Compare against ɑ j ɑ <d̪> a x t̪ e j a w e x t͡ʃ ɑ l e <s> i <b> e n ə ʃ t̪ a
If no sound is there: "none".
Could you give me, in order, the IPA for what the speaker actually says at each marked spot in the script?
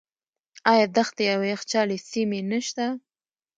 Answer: d̪, s, m

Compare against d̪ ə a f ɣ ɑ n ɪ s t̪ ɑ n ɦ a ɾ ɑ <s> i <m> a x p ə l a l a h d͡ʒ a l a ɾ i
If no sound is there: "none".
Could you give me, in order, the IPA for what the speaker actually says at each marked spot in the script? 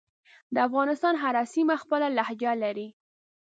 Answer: s, m

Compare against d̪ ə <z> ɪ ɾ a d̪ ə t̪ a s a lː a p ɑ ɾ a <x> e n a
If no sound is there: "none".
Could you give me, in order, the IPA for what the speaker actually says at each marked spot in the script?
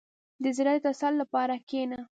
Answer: z, k

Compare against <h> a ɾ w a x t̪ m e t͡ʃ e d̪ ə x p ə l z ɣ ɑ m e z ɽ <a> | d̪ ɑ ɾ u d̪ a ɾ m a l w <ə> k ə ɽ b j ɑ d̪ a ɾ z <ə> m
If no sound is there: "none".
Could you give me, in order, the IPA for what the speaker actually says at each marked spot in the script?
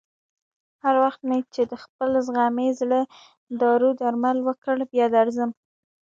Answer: h, ə, ə, ə

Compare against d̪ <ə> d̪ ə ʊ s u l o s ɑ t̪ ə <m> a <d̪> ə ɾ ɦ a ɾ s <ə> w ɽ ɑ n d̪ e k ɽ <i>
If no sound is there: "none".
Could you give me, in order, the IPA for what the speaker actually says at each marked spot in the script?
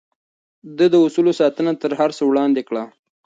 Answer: ə, n, t̪, ə, a

